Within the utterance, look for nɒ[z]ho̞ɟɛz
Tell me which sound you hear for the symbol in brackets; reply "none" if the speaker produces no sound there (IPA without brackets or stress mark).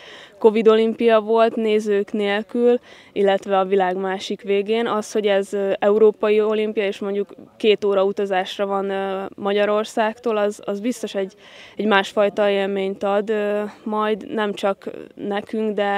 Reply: s